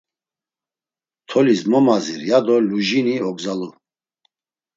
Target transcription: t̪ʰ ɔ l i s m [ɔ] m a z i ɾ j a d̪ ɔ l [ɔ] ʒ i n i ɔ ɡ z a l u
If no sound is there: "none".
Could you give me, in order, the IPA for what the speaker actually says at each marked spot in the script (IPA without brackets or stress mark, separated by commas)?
ɔ, u